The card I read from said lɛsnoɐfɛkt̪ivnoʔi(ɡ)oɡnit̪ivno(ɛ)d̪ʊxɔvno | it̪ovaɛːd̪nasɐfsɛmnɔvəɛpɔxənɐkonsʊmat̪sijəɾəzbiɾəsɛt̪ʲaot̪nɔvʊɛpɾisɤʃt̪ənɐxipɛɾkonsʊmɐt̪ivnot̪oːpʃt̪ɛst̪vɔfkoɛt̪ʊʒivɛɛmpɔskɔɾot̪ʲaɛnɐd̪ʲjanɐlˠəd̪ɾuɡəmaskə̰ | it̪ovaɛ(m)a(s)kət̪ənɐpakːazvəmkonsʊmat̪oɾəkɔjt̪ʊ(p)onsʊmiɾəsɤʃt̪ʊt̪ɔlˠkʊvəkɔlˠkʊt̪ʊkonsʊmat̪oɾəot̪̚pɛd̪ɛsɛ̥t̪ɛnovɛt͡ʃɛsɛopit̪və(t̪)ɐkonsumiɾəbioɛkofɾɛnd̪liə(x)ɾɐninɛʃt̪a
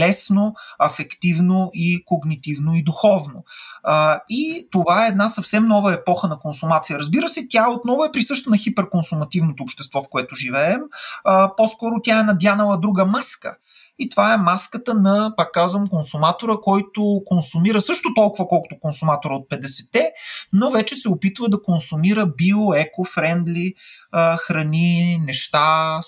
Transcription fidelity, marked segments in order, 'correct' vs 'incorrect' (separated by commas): incorrect, incorrect, correct, correct, incorrect, incorrect, correct